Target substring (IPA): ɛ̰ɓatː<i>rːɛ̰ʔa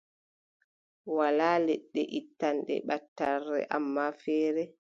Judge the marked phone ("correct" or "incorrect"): incorrect